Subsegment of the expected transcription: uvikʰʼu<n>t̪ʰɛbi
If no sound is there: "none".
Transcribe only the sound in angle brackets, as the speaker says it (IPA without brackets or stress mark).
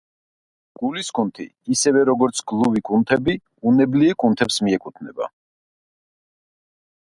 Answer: n